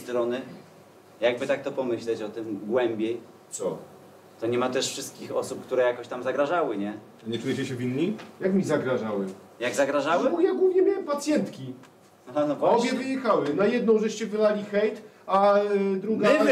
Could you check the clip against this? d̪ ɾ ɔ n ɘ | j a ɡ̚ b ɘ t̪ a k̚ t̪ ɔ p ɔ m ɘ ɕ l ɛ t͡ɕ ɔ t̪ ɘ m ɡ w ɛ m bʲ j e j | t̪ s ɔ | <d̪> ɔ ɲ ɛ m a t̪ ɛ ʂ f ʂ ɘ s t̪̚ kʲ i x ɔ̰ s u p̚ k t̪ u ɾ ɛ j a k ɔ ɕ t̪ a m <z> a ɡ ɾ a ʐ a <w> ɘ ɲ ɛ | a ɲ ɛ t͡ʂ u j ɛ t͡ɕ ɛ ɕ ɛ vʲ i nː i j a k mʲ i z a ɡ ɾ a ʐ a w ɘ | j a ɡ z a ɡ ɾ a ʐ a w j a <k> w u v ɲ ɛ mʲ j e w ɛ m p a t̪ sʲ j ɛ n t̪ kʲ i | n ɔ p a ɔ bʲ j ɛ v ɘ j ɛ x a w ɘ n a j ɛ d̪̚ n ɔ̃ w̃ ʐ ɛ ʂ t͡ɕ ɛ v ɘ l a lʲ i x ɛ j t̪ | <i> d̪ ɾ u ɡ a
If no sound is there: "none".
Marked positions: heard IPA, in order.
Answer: t̪, z, w, ɡ, a

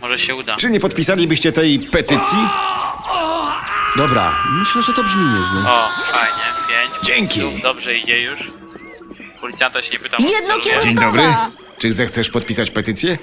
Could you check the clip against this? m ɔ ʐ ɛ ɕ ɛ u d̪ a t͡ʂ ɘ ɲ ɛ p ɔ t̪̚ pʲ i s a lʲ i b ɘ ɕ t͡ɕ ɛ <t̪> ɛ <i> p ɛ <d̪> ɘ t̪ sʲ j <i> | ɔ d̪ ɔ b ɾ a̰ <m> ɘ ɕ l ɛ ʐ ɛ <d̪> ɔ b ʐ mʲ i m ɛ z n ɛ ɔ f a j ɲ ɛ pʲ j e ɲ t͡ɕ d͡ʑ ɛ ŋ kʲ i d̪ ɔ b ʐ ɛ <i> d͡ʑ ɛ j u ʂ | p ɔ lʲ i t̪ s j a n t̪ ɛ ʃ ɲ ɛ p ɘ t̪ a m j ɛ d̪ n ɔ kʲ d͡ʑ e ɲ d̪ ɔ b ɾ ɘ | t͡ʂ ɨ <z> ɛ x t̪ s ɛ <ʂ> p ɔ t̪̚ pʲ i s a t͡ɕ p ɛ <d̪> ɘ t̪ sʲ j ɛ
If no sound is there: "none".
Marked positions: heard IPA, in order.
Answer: t̪, j, t̪, i, m, t̪, i, z, ʂ, t̪

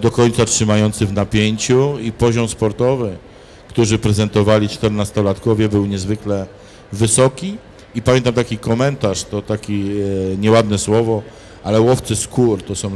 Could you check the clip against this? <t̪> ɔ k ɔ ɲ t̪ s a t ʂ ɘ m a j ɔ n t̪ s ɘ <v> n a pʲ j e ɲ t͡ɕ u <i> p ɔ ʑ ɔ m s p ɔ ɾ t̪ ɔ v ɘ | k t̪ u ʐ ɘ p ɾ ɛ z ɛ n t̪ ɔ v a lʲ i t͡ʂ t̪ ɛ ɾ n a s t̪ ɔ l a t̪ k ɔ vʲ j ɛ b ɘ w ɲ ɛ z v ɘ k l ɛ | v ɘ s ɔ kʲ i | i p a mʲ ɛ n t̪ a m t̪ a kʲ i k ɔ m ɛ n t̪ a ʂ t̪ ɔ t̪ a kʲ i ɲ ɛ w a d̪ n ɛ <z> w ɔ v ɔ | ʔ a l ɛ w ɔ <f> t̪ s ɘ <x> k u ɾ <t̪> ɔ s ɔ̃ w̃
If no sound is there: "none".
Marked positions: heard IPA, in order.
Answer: d̪, v, i, s, f, s, t̪

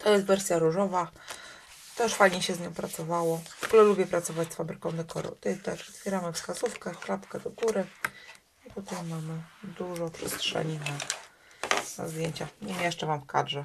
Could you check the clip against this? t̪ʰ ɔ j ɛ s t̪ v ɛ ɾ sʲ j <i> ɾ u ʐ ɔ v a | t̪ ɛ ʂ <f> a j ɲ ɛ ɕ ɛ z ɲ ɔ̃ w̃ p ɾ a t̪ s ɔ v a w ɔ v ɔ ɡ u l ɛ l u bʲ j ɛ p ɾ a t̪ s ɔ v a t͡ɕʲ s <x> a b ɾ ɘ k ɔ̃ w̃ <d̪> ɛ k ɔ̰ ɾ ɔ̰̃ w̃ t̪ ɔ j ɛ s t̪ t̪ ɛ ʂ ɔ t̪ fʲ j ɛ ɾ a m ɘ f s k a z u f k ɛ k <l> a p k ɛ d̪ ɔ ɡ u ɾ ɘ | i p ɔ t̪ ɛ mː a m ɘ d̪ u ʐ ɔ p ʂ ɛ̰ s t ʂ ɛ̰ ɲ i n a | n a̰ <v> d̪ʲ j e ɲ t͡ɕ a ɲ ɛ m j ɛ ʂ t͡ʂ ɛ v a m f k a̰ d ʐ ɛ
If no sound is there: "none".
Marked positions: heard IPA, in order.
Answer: a, f, f, d̪, l, z

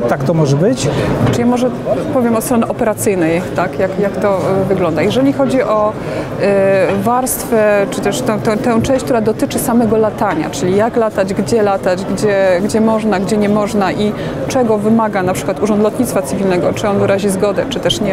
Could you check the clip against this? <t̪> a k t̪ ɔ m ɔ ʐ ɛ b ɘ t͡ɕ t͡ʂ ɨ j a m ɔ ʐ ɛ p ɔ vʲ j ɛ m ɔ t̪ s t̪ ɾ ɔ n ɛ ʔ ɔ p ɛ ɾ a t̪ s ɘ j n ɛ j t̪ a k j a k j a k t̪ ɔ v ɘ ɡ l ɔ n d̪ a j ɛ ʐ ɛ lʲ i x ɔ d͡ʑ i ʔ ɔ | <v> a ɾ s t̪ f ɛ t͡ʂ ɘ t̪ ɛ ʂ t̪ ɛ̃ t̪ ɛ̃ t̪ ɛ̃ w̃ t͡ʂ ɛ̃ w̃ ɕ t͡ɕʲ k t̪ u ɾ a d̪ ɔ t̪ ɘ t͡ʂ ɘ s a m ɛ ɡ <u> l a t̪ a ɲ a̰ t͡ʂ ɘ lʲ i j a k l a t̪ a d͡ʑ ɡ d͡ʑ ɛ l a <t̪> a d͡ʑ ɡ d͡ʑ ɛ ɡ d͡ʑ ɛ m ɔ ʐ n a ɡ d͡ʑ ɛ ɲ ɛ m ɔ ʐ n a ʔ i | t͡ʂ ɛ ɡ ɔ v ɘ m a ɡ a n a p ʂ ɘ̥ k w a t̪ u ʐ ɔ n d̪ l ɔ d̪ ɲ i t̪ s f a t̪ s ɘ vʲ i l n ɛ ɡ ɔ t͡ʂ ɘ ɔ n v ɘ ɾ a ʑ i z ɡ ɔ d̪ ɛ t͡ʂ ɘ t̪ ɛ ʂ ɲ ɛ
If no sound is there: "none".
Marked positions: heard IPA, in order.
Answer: t̪, v, ɔ, t̪

